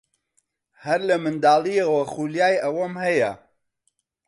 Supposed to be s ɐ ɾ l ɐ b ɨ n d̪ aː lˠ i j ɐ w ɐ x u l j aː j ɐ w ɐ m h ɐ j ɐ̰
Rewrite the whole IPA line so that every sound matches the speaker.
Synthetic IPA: h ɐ ɾ l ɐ m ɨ n d̪ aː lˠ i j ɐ w ɐ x u l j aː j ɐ w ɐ m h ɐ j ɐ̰